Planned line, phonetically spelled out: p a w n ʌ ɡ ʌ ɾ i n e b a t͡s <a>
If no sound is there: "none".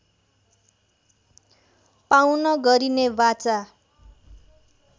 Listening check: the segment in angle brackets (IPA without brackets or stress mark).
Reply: a